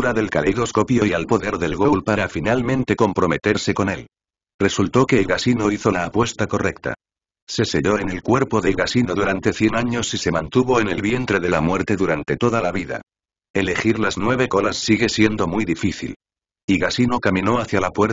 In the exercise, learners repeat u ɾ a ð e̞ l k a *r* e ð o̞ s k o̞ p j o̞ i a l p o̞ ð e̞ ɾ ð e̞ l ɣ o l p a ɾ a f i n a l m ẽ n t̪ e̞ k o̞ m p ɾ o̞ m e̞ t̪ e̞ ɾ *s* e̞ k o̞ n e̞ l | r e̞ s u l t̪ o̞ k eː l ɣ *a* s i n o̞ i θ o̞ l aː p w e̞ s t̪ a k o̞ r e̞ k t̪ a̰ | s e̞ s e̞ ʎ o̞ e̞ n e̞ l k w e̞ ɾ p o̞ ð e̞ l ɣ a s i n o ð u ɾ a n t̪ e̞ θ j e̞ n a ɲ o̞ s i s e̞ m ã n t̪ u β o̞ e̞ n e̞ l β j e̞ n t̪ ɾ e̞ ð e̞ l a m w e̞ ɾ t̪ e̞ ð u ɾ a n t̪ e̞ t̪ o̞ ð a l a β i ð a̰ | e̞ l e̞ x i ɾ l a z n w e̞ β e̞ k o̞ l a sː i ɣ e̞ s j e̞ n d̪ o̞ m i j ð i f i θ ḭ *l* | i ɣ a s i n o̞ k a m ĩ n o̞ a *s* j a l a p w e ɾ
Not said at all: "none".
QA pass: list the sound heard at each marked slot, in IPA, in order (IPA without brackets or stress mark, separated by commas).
l, s, a, l, θ